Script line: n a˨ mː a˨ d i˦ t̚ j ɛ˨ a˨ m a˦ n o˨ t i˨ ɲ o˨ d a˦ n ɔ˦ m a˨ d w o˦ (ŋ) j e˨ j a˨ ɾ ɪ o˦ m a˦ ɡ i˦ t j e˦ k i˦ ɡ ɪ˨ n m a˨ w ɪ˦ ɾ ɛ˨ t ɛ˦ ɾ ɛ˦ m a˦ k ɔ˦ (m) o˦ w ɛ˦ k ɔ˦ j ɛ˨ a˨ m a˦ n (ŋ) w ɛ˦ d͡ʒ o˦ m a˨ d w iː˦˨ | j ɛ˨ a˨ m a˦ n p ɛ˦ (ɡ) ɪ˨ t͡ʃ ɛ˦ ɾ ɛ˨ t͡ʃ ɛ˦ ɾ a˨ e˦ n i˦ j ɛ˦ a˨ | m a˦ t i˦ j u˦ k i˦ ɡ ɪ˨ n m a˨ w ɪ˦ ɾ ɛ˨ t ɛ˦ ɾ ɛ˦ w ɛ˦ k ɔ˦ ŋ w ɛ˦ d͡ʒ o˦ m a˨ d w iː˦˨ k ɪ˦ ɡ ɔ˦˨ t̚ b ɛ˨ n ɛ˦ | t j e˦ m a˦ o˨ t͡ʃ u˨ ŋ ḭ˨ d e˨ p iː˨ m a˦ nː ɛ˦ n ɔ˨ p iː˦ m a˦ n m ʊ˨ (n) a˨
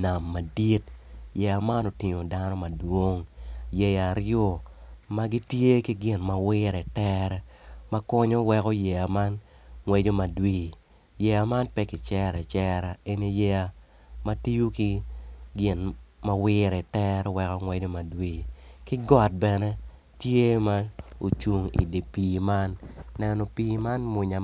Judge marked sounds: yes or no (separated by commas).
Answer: yes, no, yes, no, no